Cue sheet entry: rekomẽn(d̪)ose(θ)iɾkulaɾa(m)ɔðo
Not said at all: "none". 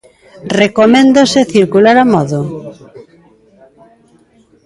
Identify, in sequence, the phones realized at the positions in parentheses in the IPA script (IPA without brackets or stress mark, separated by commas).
d̪, θ, m